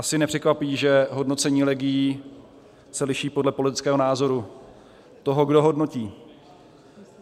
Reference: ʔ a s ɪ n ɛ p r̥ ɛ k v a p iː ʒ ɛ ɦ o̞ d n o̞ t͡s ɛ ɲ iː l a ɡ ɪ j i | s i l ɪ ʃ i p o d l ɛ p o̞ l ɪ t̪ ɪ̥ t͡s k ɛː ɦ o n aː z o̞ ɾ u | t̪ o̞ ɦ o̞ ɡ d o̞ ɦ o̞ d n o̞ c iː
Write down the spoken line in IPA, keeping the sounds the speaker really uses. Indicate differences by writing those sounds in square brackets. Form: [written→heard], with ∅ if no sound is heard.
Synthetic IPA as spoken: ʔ a s ɪ n ɛ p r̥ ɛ k v a p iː ʒ ɛ ɦ o̞ d n o̞ t͡s ɛ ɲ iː l [a→ɛ] ɡ ɪ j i | s [i→ɛ] l ɪ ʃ [i→iː] p o d l ɛ p o̞ l ɪ t̪ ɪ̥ t͡s k ɛː ɦ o n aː z o̞ ɾ u | t̪ o̞ ɦ o̞ ɡ d o̞ ɦ o̞ d n o̞ c iː